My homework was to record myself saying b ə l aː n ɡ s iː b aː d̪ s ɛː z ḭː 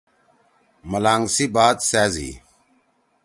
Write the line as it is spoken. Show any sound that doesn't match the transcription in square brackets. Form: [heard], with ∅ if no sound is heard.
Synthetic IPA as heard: [m] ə l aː [ŋ] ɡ s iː b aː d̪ s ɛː z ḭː